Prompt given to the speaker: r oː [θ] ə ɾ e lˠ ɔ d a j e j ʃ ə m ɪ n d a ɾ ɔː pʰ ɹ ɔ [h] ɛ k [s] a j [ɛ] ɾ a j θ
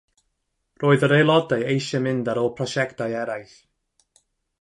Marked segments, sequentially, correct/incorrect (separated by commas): incorrect, incorrect, incorrect, correct